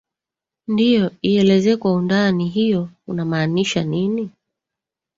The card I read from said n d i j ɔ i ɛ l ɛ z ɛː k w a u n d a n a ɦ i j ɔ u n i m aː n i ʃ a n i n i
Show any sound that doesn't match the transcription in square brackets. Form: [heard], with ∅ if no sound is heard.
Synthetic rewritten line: n d i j ɔ i ɛ l ɛ z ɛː k w a u n d a n [i] ɦ i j ɔ u n [a] m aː n i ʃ a n i n i